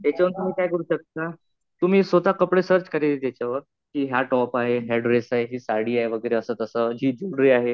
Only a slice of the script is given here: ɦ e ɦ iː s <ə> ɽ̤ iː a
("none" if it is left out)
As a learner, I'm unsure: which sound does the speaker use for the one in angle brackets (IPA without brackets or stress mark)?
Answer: a